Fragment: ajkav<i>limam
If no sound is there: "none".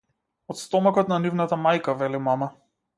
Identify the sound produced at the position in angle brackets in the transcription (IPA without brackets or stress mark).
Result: ɛ